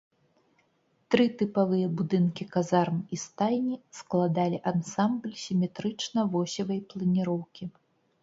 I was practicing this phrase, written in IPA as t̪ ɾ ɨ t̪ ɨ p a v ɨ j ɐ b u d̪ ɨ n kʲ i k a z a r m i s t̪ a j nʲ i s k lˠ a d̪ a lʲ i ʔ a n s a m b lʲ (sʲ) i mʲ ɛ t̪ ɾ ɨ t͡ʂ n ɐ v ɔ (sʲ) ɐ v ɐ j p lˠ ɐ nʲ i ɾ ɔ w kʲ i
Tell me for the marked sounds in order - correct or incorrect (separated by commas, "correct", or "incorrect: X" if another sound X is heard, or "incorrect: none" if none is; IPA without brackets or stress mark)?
correct, correct